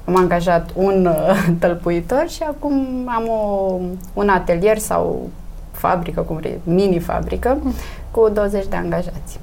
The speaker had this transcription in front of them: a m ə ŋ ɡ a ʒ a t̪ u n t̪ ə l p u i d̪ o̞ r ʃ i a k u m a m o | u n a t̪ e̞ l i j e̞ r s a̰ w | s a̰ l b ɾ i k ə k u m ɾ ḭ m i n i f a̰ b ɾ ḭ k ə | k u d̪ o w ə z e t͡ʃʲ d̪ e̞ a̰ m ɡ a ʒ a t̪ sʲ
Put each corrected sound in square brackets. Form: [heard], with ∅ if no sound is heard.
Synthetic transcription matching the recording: a m [a] ŋ ɡ a ʒ a t̪ u n t̪ ə l p u i [t̪] o̞ r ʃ i a k u m a m o | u n a t̪ e̞ l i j e̞ r s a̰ w | [f] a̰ [∅] b ɾ i k ə k u m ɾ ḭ m i n i f a̰ b ɾ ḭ k ə | k u d̪ o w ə z e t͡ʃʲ d̪ e̞ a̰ [ŋ] ɡ a ʒ a t̪ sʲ